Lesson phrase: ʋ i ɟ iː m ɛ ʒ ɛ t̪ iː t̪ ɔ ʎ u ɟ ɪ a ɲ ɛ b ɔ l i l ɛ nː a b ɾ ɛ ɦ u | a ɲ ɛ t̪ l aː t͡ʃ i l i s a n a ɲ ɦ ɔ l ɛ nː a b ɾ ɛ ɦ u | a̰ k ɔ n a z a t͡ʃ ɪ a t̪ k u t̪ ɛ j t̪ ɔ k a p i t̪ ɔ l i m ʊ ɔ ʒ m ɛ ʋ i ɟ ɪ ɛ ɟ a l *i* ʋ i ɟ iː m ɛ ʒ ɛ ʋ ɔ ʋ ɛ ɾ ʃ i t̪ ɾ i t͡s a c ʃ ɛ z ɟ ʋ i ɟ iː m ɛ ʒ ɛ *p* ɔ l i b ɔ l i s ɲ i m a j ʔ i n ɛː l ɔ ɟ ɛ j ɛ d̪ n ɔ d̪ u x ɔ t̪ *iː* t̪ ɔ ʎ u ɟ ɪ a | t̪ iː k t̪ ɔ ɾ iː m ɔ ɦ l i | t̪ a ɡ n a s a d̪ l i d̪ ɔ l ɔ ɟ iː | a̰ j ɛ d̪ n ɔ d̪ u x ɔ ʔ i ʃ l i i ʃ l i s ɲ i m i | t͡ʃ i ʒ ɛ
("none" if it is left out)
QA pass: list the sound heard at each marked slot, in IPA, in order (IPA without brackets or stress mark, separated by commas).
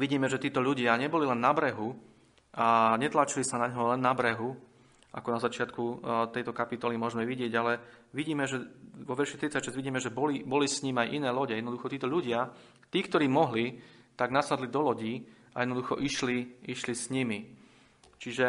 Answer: ɛ, b, iː